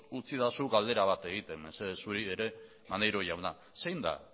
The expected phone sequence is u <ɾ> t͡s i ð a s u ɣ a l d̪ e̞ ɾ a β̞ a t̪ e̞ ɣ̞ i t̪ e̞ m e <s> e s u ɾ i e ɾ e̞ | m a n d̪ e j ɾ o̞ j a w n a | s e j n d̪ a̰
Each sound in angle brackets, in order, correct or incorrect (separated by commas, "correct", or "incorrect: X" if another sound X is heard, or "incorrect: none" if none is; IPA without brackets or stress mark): incorrect: none, correct